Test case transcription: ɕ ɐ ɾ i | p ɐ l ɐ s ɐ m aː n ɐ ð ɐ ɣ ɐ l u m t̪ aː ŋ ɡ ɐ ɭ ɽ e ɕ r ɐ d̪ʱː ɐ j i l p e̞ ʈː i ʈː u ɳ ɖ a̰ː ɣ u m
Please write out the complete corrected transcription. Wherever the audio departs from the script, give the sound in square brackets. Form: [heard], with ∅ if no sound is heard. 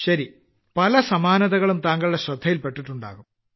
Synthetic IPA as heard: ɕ ɐ ɾ i | p ɐ l ɐ s ɐ m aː n ɐ ð ɐ ɣ ɐ [ɭ] u m t̪ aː ŋ ɡ ɐ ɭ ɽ e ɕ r ɐ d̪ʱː ɐ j i l p e̞ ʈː i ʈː u ɳ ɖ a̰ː ɣ u m